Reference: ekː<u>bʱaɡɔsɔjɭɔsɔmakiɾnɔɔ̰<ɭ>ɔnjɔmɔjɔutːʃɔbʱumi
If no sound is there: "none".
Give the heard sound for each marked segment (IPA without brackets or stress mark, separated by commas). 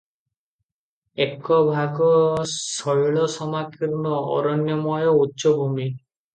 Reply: ɔ, ɾ